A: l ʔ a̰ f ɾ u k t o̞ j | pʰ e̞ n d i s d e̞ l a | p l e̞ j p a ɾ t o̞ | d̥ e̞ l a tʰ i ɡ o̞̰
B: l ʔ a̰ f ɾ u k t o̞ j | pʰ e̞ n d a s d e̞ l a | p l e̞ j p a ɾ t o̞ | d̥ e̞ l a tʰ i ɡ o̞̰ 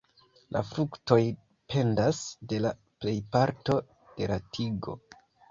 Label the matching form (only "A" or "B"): B